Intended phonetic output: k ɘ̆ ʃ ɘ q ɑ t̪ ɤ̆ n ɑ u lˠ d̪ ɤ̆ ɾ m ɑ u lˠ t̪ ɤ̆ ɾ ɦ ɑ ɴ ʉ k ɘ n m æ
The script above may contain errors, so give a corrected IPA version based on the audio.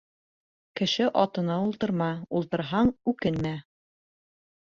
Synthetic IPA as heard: k ɘ̆ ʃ ɘ ʔ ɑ t̪ ɤ̆ n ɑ u lˠ t̪ ɤ̆ ɾ m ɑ u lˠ t̪ ɤ̆ ɾ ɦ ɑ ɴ ʉ k ɘ n m æ